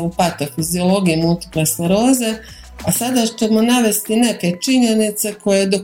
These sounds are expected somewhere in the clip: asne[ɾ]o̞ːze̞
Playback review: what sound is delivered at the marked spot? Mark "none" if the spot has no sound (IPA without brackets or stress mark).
ɾ